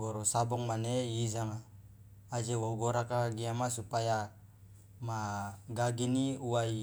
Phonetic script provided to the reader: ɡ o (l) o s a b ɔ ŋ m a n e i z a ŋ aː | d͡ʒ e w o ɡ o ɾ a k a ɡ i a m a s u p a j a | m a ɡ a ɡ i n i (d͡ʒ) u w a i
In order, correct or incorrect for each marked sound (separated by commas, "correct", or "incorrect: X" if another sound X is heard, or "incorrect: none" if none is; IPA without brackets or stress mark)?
incorrect: ɾ, incorrect: none